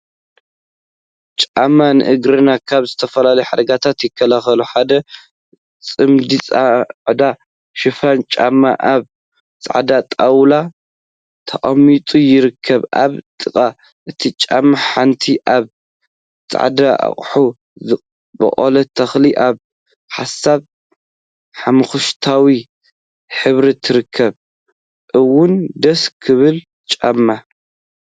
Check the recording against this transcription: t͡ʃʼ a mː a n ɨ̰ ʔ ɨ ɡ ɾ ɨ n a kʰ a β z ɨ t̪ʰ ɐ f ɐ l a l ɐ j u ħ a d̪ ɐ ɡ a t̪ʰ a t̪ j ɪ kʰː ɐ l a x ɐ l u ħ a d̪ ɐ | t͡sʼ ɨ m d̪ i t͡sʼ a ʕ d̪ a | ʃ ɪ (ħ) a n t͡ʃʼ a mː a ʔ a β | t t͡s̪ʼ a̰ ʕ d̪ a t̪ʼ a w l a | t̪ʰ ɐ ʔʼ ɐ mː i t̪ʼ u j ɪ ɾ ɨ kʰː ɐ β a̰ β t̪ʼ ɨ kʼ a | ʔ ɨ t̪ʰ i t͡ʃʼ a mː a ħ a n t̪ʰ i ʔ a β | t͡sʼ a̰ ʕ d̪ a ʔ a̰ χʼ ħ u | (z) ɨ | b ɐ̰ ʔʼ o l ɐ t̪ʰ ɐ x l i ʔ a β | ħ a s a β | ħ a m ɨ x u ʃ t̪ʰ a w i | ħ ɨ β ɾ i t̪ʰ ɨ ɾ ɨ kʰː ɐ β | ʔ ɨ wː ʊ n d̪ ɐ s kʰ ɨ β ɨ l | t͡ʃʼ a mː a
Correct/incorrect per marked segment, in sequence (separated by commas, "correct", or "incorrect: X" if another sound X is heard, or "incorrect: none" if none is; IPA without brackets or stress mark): incorrect: f, correct